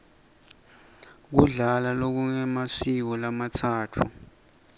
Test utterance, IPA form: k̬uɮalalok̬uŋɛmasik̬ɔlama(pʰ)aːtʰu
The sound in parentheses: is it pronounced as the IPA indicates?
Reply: no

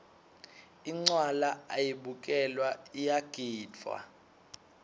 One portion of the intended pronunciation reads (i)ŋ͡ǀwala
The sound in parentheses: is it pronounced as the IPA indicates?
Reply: yes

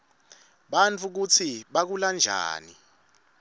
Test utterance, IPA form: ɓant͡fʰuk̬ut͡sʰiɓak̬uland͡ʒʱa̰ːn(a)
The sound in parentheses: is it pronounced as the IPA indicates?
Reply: no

